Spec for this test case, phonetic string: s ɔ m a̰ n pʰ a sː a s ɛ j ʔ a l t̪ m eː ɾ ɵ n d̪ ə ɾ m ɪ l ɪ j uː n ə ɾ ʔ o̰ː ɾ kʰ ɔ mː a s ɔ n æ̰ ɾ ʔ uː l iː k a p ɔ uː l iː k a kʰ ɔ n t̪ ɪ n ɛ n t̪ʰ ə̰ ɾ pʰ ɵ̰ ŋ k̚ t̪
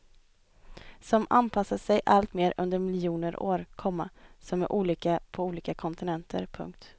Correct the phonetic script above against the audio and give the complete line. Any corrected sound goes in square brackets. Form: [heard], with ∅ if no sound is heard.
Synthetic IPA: s ɔ m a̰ n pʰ a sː a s ɛ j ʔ a l t̪ m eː ɾ ɵ n d̪ ə ɾ m ɪ l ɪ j uː n ə ɾ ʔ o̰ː ɾ kʰ ɔ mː a s ɔ [m] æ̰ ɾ ʔ uː l iː k a [pʰ] ɔ uː l iː k a kʰ ɔ n t̪ ɪ n ɛ n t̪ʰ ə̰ ɾ pʰ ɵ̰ ŋ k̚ t̪